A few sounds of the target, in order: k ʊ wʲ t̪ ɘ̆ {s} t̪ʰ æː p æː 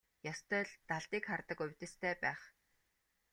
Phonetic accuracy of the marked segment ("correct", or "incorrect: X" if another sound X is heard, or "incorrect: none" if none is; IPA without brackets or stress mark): correct